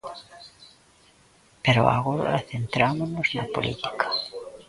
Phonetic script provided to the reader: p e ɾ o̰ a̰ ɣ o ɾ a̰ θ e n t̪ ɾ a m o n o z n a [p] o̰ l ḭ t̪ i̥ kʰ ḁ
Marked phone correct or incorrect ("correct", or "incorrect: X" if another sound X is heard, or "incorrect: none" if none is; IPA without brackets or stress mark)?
correct